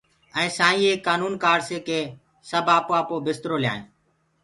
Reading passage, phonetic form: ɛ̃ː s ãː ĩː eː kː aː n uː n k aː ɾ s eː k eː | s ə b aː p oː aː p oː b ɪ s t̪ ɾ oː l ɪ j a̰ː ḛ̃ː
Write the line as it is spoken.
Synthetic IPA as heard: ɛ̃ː s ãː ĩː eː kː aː n uː n k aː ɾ s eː k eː | s ə b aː p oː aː p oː b ɪ s t̪ ɾ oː l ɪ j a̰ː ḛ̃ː